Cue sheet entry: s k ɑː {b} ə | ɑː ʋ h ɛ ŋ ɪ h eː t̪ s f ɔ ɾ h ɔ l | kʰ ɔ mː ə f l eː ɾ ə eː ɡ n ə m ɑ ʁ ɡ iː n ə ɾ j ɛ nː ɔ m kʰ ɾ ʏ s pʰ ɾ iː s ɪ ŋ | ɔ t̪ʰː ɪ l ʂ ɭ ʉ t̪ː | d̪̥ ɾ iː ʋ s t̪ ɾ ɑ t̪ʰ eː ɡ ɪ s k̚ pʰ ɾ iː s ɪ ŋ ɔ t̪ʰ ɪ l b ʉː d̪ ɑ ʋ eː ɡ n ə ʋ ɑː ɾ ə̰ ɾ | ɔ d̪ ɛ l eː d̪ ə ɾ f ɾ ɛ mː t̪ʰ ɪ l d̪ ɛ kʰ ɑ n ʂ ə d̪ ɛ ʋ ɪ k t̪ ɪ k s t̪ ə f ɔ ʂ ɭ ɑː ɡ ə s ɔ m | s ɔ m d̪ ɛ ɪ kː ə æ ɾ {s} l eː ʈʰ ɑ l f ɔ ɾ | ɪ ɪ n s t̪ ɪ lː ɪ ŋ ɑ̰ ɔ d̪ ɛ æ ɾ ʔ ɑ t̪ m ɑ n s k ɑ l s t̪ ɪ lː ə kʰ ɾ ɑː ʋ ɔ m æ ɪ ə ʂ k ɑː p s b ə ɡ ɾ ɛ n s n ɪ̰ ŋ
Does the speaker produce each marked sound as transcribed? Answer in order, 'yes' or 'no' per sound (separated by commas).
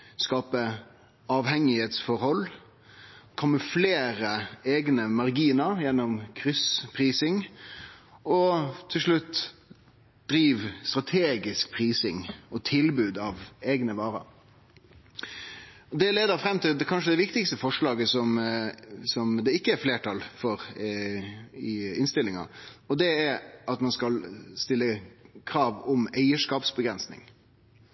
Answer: no, no